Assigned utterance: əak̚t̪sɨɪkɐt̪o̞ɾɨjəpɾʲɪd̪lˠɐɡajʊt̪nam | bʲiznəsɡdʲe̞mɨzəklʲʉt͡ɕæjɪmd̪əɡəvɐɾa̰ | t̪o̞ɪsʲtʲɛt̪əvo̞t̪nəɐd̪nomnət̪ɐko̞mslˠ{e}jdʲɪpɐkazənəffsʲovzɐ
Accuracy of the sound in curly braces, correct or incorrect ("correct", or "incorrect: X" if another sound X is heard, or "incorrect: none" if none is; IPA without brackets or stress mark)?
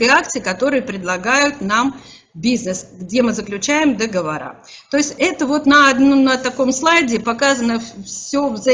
incorrect: a